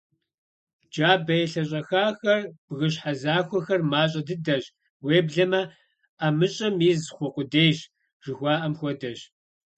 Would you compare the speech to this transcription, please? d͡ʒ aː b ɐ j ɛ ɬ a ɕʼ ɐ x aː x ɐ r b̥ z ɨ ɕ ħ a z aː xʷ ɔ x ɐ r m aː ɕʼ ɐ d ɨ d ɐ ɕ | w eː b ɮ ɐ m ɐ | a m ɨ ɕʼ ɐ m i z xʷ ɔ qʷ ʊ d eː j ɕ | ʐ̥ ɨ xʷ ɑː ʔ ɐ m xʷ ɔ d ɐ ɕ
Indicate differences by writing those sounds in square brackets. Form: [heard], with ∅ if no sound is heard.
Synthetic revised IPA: d͡ʒ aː b ɐ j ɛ ɬ [ɐ] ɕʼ ɐ x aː x ɐ r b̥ [ɣ] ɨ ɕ ħ a z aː xʷ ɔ x ɐ r m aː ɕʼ ɐ d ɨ d ɐ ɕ | w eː b ɮ ɐ m ɐ | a m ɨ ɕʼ ɐ m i z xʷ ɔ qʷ ʊ d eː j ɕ | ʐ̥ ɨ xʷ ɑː ʔ ɐ m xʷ ɔ d ɐ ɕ